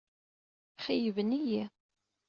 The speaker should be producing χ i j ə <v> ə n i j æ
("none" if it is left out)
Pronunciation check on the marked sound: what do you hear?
v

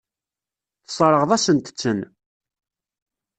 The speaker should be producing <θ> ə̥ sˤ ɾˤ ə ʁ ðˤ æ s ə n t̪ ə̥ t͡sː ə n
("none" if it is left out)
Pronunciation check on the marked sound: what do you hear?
θ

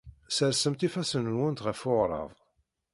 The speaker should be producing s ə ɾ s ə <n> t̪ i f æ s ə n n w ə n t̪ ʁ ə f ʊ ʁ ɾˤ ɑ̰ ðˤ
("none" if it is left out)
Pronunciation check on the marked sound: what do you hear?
m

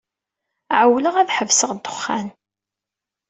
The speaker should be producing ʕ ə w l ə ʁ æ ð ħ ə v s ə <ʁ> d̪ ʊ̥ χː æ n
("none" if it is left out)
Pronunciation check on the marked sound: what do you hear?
ʁ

